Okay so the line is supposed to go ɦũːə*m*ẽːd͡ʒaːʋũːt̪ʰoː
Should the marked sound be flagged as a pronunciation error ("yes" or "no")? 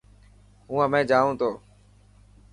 no